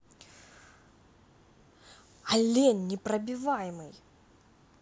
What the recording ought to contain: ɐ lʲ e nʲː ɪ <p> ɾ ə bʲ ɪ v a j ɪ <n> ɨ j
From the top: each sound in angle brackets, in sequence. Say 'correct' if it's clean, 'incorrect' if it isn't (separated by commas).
correct, incorrect